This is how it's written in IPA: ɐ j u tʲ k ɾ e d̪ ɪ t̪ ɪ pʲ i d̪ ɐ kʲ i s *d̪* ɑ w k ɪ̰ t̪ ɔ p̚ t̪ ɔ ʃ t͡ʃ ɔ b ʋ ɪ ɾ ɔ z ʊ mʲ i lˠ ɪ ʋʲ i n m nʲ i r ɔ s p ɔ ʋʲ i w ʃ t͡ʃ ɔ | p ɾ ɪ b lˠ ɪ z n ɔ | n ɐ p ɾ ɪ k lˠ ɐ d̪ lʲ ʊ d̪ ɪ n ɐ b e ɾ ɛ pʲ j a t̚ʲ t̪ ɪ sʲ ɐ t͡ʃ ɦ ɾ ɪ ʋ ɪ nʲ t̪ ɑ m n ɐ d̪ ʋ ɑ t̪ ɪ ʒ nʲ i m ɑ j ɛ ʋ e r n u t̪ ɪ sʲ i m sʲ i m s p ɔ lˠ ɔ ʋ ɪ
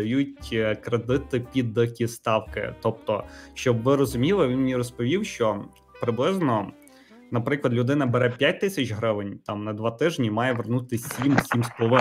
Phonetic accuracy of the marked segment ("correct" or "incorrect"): incorrect